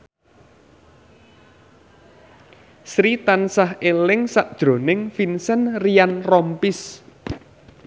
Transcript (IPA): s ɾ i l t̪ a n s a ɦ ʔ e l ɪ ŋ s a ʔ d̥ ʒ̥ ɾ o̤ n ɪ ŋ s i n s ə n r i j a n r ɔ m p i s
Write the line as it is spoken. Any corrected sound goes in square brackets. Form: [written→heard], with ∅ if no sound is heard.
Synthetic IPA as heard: s ɾ i [l→∅] t̪ a n s a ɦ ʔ e l ɪ ŋ s a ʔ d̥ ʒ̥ ɾ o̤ n ɪ ŋ [s→f] i n s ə n r i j a n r ɔ m p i s